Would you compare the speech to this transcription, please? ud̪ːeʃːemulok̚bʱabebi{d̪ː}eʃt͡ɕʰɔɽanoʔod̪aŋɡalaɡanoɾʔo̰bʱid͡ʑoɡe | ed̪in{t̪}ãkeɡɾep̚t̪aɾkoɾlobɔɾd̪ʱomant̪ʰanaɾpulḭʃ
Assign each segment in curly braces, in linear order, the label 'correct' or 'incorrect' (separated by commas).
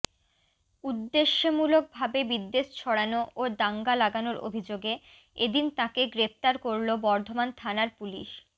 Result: correct, correct